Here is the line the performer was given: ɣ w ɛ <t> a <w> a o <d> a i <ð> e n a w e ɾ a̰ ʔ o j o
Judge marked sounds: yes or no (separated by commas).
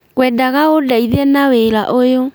no, no, yes, yes